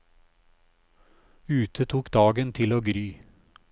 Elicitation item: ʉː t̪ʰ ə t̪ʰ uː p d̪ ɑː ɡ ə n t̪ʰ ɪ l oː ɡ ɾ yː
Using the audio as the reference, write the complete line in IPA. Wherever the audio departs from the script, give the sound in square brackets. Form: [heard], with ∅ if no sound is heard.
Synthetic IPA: ʉː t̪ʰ ə t̪ʰ uː [k] d̪ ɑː ɡ ə n t̪ʰ ɪ l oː ɡ ɾ yː